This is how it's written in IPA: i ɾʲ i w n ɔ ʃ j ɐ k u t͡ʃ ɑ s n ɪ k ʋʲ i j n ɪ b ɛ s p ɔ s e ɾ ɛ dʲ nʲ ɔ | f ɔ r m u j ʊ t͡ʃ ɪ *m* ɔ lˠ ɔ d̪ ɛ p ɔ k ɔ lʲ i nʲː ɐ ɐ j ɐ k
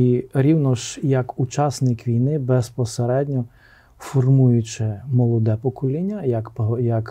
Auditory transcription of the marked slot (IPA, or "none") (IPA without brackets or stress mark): m